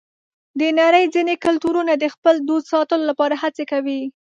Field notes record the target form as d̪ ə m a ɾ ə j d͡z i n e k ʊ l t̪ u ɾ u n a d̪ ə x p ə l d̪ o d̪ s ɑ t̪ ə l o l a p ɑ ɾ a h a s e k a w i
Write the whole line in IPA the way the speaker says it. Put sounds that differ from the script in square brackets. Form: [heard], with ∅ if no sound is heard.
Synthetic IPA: d̪ ə [n] a ɾ ə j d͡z i n e k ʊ l t̪ u ɾ u n a d̪ ə x p ə l d̪ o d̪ s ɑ t̪ ə l o l a p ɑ ɾ a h a [t͡s] e k a w i